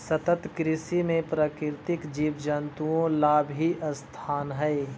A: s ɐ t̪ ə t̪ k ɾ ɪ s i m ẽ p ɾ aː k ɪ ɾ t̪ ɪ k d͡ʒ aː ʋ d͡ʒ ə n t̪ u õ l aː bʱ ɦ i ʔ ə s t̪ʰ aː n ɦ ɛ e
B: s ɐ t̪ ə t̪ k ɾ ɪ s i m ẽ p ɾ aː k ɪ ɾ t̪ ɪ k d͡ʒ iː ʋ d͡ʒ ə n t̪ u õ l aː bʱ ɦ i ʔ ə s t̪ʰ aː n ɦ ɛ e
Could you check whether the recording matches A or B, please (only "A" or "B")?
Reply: B